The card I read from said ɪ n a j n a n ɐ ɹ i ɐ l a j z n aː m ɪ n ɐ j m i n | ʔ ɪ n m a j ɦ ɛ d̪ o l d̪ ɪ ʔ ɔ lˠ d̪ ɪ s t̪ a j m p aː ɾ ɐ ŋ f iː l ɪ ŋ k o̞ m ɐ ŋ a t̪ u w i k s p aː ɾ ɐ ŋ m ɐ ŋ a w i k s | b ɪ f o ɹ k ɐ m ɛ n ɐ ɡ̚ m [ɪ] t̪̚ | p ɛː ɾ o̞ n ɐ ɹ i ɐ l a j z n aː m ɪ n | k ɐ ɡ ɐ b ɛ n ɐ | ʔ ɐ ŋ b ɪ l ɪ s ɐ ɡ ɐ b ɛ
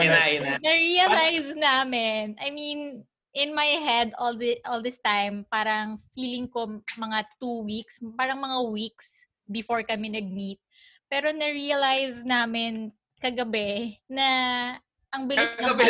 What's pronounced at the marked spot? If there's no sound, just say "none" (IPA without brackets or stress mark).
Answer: i